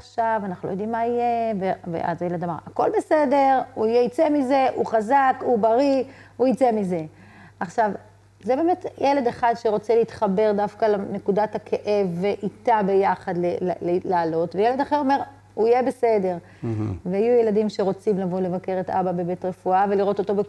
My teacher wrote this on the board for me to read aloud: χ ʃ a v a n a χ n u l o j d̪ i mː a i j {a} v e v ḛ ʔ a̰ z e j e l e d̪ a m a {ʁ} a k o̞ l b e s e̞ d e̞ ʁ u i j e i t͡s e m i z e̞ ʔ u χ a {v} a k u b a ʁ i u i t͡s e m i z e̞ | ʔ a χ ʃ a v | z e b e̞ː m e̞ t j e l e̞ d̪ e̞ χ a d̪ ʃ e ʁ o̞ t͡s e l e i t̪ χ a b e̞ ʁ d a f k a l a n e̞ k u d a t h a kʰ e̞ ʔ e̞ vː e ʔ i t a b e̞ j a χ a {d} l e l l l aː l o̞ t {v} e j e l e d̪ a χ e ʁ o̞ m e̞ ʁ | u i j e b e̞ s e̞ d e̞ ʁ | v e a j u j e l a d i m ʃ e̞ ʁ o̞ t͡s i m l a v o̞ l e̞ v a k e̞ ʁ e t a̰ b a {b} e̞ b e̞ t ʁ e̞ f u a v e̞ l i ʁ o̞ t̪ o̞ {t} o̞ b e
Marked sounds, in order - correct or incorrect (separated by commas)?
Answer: incorrect, correct, incorrect, correct, correct, correct, correct